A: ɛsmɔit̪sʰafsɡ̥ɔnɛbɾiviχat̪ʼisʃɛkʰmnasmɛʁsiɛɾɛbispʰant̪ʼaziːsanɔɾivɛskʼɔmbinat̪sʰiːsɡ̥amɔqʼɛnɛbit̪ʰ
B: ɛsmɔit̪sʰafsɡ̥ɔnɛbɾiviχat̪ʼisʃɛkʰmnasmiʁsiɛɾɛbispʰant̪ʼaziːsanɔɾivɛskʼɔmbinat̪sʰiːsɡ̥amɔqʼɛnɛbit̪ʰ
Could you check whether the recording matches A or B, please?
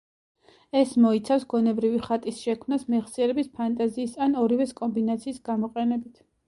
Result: A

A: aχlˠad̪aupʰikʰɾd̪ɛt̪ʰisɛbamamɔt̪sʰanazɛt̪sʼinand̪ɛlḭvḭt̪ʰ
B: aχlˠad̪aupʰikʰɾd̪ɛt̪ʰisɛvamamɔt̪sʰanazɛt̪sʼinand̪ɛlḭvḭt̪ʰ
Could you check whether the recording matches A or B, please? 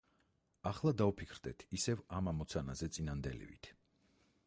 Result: B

